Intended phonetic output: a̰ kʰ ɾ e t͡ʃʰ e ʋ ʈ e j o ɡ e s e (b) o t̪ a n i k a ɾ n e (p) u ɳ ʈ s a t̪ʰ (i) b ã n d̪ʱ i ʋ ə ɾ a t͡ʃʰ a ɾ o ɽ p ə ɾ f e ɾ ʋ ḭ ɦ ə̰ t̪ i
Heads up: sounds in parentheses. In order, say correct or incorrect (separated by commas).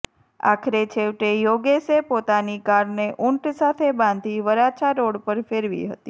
incorrect, incorrect, incorrect